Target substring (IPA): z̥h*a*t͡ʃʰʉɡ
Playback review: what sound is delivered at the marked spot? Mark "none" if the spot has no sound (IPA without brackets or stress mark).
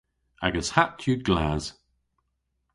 a